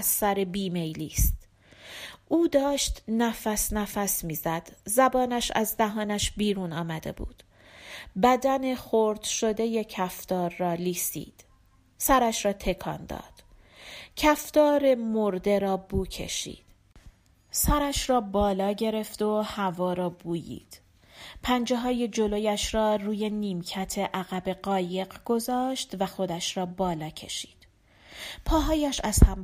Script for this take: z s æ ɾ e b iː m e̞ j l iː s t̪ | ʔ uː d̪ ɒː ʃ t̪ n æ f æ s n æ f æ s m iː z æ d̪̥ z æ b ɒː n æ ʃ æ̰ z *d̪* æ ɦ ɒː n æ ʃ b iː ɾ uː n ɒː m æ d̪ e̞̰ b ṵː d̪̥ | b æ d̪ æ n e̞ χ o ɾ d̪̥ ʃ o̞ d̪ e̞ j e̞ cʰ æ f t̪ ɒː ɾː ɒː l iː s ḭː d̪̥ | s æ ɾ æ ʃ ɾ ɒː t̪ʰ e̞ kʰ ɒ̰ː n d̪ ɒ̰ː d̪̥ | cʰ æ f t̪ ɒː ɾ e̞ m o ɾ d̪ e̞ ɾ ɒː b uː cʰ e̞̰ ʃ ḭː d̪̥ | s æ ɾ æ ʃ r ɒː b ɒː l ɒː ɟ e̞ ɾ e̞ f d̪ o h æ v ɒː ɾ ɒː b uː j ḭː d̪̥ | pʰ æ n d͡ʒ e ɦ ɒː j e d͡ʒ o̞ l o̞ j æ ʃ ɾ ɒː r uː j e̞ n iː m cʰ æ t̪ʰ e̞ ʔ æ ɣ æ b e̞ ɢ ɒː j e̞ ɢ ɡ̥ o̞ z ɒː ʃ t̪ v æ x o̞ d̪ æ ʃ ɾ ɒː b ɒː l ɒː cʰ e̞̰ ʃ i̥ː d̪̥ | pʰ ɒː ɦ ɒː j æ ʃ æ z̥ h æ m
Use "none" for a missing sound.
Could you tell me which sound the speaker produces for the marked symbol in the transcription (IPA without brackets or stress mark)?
d̪